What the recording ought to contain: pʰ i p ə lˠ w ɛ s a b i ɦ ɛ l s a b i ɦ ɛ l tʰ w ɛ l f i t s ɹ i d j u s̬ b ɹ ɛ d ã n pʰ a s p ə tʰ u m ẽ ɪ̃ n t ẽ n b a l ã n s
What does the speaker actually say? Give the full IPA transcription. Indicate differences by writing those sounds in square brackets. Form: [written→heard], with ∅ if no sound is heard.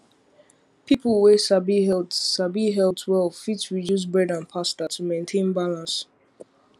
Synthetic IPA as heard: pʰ i p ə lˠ w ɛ s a b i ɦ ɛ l s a b i ɦ ɛ l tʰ w ɛ l f i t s ɹ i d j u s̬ b ɹ ɛ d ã n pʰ a s [p→t] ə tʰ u m ẽ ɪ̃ n [t→tʰ] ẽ n b a l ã n s